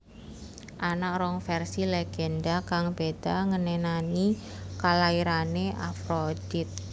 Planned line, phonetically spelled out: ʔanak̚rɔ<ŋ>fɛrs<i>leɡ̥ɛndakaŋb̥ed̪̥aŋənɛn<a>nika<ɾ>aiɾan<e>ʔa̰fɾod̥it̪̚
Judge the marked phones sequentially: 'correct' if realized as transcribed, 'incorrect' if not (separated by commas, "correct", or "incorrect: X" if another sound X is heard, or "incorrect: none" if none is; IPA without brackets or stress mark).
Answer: correct, correct, correct, incorrect: l, correct